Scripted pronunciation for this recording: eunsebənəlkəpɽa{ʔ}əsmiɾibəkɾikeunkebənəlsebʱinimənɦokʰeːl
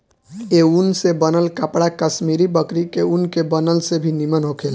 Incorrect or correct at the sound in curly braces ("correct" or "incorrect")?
incorrect